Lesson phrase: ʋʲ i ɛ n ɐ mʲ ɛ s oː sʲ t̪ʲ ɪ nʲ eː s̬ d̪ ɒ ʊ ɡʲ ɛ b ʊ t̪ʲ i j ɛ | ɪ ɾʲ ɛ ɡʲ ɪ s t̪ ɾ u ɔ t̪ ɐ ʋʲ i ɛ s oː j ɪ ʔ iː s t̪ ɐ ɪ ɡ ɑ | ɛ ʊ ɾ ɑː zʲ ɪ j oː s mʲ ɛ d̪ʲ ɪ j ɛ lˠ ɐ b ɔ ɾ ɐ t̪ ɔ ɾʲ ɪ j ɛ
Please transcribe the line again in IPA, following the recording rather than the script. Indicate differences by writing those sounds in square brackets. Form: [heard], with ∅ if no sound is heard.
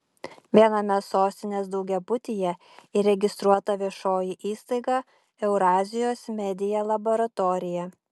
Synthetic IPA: ʋʲ i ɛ n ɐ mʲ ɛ s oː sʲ t̪ʲ ɪ nʲ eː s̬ d̪ ɒ ʊ ɡʲ ɛ b ʊ t̪ʲ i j ɛ | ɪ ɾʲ ɛ ɡʲ ɪ s t̪ ɾ u ɔ t̪ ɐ ʋʲ i ɛ [ʃ] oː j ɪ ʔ iː s t̪ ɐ ɪ ɡ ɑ | ɛ ʊ ɾ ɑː zʲ ɪ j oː s mʲ ɛ d̪ʲ ɪ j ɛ lˠ ɐ b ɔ ɾ ɐ t̪ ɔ ɾʲ ɪ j ɛ